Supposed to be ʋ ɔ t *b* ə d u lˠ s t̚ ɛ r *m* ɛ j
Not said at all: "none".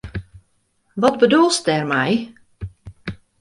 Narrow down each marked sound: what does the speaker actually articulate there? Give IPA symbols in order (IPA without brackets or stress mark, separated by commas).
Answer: b, m